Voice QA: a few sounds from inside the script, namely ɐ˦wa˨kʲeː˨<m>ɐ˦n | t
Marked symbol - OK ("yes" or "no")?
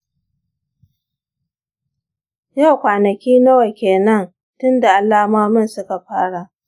no